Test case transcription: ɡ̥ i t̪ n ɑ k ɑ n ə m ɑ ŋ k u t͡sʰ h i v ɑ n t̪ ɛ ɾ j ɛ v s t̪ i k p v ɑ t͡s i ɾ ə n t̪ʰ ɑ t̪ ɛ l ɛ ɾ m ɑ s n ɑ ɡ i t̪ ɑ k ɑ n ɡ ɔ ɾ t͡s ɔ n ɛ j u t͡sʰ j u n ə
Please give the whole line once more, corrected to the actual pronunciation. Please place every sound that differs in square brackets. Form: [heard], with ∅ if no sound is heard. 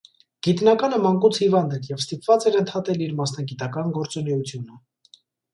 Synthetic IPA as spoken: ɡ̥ i t̪ n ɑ k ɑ n ə m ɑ ŋ k u t͡sʰ h i v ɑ n [d̪] ɛ ɾ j ɛ v s t̪ i [∅] p v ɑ t͡s [ɛ] ɾ ə n t̪ʰ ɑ t̪ ɛ l [i] ɾ m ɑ s n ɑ ɡ i t̪ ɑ k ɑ n ɡ ɔ ɾ t͡s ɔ n ɛ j u t͡sʰ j u n ə

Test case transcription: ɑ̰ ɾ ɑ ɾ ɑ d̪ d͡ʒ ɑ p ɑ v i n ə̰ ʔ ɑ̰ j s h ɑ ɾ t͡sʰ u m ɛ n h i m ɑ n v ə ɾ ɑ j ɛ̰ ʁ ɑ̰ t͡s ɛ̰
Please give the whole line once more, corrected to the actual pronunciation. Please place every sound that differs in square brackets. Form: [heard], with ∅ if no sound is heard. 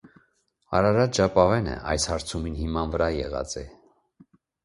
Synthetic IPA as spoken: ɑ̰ ɾ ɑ ɾ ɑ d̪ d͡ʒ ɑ p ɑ v [ɛ] n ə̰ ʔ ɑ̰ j s h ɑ ɾ t͡sʰ u m [i] n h i m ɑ n v ə ɾ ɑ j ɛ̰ ʁ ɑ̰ t͡s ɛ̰

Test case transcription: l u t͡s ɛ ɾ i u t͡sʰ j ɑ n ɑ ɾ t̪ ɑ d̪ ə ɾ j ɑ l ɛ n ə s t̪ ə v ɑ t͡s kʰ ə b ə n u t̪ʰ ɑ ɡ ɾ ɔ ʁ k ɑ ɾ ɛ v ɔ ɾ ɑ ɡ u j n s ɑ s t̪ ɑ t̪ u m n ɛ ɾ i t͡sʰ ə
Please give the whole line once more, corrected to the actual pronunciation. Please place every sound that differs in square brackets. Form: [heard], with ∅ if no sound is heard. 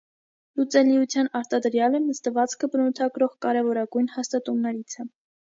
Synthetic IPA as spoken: l u t͡s ɛ [l] i u t͡sʰ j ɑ n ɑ ɾ t̪ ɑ d̪ ə ɾ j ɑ l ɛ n ə s t̪ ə v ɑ t͡s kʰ ə b ə n u t̪ʰ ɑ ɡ ɾ ɔ ʁ k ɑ ɾ ɛ v ɔ ɾ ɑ ɡ u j n [h] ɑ s t̪ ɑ t̪ u m n ɛ ɾ i t͡sʰ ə

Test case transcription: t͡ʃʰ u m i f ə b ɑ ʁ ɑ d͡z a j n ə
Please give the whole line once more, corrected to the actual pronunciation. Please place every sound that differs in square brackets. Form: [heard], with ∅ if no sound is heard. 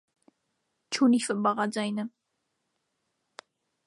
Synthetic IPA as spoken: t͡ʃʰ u [n] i f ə b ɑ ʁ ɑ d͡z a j n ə

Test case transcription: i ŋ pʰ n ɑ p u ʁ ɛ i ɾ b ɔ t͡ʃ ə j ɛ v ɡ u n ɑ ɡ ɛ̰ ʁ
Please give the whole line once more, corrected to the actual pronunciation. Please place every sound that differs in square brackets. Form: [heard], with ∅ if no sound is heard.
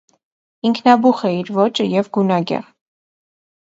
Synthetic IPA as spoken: i ŋ [kʰ] n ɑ [b] u [χ] ɛ i ɾ [v] ɔ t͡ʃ ə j ɛ v ɡ u n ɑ ɡ ɛ̰ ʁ

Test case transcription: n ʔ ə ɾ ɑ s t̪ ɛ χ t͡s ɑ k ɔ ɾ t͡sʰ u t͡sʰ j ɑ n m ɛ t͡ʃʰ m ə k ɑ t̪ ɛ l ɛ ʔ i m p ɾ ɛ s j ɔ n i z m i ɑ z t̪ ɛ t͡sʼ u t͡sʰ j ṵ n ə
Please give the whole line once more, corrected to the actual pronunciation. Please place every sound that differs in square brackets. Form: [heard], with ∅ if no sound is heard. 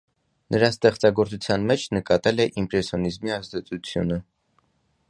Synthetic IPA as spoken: n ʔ ə ɾ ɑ s t̪ ɛ χ t͡s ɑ [ɡ] ɔ ɾ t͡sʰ u t͡sʰ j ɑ n m ɛ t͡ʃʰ [n] ə k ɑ t̪ ɛ l ɛ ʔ i m p ɾ ɛ s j ɔ n i z m i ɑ z [d̪] ɛ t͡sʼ u t͡sʰ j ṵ n ə

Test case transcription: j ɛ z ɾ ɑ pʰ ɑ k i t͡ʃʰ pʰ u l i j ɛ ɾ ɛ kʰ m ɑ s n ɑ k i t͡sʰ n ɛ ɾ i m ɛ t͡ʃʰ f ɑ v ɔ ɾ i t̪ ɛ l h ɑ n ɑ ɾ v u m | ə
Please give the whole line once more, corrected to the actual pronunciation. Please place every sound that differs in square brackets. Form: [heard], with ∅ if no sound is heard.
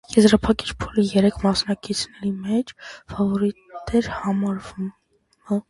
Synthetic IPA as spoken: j ɛ z ɾ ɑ pʰ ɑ k i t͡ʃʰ pʰ u l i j ɛ ɾ ɛ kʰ m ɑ s n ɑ k i t͡sʰ n ɛ ɾ i m ɛ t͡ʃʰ f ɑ v ɔ ɾ i t̪ ɛ [ɾ] h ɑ [m] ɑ ɾ v u m | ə

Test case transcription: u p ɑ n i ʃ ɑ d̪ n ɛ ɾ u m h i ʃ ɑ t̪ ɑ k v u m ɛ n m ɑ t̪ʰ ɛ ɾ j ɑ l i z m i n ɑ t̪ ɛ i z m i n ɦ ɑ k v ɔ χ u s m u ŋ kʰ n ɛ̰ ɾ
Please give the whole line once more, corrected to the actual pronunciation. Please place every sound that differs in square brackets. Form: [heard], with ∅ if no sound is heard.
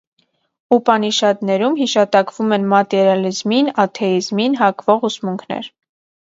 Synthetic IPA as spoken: u p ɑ n i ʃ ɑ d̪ n ɛ ɾ u m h i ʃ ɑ t̪ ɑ k v u m ɛ n m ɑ [t̪] ɛ ɾ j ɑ l i z m i n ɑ [t̪ʰ] ɛ i z m i n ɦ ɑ k v ɔ [ʁ] u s m u ŋ kʰ n ɛ̰ ɾ

